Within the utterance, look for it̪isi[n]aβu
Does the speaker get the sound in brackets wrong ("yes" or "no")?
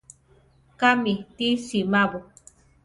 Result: yes